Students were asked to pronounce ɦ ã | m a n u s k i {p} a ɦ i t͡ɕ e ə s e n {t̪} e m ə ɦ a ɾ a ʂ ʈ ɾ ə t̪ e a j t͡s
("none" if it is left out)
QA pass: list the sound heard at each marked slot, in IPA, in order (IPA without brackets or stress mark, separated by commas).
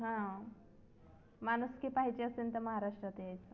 p, t̪